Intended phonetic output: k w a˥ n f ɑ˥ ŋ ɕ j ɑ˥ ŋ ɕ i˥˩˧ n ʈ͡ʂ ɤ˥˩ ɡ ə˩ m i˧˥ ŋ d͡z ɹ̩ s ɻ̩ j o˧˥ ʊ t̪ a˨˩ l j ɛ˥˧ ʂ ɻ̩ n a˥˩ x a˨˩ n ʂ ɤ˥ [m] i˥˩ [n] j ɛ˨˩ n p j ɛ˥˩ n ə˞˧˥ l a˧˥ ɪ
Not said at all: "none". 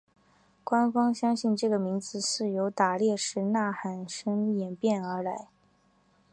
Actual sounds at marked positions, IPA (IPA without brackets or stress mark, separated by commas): ŋ, none